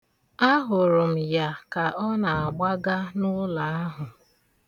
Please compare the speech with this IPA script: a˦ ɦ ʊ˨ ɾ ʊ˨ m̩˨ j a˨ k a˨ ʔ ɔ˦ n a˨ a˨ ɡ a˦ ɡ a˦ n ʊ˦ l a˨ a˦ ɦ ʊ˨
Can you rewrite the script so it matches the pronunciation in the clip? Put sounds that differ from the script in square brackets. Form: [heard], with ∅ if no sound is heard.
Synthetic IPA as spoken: a˦ ɦ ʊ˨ ɾ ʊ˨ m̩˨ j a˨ k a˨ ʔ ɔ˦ n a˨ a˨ [ɡ͡b] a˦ ɡ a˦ n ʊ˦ l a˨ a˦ ɦ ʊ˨